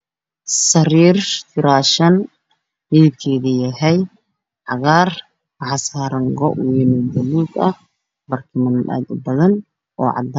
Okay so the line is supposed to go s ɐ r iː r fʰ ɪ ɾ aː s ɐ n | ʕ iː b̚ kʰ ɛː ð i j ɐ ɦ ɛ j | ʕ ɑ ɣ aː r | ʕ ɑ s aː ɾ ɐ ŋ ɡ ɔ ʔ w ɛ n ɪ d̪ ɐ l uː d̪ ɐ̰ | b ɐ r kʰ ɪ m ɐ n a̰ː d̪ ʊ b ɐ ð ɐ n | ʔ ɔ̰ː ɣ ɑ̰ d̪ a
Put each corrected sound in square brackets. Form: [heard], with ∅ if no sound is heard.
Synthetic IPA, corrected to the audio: s ɐ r iː r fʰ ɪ ɾ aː [ʃ] ɐ n | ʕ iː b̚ kʰ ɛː ð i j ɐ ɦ ɛ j | ʕ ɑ ɣ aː r | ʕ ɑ s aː ɾ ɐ ŋ ɡ ɔ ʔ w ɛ n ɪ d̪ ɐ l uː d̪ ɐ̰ | b ɐ r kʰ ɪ m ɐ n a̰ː d̪ ʊ b ɐ ð ɐ n | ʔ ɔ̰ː [ʕ] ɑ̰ d̪ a